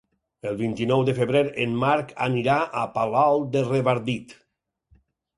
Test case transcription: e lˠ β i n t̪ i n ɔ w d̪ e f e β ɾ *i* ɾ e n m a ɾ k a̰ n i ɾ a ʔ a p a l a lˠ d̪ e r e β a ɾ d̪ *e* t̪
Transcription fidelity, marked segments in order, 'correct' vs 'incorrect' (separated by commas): incorrect, incorrect